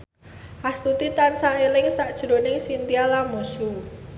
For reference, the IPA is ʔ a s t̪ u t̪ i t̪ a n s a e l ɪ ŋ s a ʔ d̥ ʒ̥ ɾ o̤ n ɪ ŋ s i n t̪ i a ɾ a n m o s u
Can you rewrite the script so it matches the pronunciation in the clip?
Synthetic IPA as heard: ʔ a s t̪ u t̪ i t̪ a n s a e l ɪ ŋ s a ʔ d̥ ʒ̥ ɾ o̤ n ɪ ŋ s i n t̪ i a l a m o s u